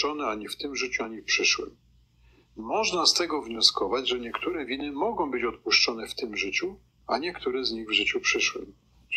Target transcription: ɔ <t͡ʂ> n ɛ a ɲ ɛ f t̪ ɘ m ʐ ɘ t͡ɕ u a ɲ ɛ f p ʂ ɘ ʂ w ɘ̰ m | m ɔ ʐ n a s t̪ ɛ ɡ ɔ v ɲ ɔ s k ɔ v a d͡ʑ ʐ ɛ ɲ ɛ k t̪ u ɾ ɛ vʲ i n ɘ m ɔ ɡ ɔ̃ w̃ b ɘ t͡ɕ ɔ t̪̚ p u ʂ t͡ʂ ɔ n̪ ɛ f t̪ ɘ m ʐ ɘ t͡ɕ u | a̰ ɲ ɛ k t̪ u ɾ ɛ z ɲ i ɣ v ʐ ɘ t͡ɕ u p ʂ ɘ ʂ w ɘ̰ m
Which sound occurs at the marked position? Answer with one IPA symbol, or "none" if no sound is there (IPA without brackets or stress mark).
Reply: none